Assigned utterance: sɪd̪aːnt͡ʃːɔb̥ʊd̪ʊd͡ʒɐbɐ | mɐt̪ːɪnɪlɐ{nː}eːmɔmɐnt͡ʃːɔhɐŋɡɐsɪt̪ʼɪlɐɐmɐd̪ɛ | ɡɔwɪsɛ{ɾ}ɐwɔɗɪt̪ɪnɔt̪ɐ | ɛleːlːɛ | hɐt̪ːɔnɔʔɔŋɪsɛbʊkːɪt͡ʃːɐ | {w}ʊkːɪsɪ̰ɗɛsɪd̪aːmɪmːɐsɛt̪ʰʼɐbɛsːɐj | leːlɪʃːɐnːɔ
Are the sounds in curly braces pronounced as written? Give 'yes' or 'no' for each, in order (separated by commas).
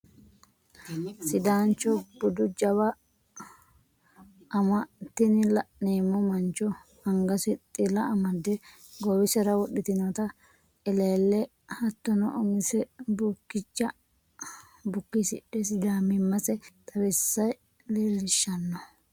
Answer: no, yes, no